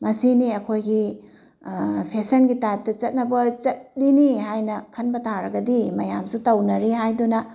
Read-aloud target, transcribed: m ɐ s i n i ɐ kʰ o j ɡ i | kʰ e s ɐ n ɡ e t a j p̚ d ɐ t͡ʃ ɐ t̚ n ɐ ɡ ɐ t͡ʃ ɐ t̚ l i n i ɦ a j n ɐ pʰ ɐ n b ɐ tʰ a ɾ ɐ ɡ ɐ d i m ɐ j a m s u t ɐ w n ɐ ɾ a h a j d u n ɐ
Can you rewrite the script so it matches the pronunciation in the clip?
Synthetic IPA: m ɐ s i n i ɐ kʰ o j ɡ i | pʰ e s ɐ n ɡ i t a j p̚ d ɐ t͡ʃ ɐ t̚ n ɐ b ɐ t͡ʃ ɐ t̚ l i n i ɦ a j n ɐ kʰ ɐ n b ɐ tʰ a ɾ ɐ ɡ ɐ d i m ɐ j a m s u t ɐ w n ɐ ɾ i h a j d u n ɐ